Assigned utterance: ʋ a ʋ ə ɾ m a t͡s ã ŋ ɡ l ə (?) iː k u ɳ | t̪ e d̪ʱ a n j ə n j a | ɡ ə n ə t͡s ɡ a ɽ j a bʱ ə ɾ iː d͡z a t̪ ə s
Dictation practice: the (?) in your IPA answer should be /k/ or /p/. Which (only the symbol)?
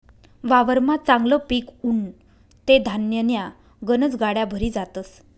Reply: p